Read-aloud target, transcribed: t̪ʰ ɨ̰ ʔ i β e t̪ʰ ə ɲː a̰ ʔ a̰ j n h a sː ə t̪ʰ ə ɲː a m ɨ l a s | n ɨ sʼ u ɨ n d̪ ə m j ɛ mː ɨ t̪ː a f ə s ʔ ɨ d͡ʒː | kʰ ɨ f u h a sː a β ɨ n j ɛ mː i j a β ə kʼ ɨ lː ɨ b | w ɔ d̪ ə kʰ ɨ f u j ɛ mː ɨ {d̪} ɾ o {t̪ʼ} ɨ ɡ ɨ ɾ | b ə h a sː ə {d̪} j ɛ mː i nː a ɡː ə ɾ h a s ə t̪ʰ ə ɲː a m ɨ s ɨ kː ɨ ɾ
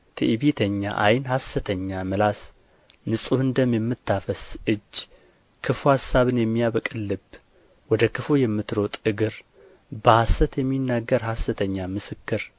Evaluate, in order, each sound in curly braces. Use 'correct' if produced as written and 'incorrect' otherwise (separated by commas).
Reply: incorrect, correct, incorrect